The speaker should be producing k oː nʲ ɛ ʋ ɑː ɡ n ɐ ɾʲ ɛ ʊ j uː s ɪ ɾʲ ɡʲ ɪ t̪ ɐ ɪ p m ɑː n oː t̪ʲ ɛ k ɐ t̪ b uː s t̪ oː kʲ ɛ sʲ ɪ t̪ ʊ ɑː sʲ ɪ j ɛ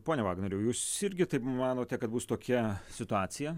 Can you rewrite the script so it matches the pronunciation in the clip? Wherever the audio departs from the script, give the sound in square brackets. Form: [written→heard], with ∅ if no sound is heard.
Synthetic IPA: [k→p] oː nʲ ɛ ʋ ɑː ɡ n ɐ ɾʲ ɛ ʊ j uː s ɪ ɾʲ ɡʲ ɪ t̪ ɐ ɪ p m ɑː n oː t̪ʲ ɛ k ɐ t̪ b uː s t̪ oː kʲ ɛ sʲ ɪ t̪ ʊ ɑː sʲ ɪ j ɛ